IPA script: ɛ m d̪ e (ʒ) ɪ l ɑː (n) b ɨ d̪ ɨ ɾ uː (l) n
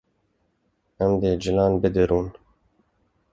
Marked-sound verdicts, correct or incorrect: incorrect: d͡ʒ, correct, incorrect: none

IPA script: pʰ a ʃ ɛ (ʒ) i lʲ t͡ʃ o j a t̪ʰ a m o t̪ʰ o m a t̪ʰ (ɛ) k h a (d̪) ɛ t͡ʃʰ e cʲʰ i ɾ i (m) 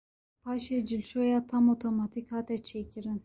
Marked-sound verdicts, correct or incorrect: incorrect: d͡ʒ, incorrect: i, incorrect: t̪, incorrect: n

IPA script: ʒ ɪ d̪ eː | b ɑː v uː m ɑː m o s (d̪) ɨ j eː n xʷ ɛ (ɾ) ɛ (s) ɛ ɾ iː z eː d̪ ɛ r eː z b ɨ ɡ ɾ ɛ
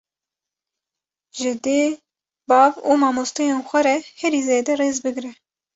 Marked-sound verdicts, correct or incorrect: incorrect: t̪, correct, incorrect: h

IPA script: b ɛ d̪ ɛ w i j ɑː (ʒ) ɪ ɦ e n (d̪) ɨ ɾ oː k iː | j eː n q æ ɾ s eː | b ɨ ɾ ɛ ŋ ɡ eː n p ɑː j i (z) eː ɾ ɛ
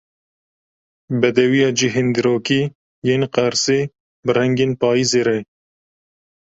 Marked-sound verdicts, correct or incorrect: incorrect: d͡ʒ, correct, correct

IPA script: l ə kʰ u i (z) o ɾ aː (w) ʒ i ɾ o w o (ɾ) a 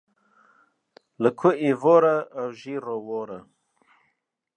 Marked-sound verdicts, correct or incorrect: incorrect: v, correct, correct

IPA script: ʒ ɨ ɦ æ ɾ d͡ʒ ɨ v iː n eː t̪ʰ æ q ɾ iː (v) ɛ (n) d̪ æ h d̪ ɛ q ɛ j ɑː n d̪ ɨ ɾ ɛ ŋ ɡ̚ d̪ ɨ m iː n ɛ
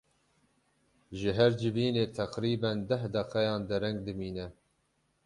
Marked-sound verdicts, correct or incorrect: incorrect: b, correct

